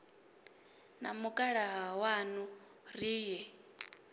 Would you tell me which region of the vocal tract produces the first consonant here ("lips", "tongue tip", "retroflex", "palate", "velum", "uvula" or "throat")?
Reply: tongue tip